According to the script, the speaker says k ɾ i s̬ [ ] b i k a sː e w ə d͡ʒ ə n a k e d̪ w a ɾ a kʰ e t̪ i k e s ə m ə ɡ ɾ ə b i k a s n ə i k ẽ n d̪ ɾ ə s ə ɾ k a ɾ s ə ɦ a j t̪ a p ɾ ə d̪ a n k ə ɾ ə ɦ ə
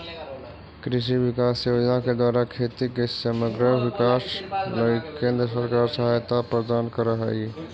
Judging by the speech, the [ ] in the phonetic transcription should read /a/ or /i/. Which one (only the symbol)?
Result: i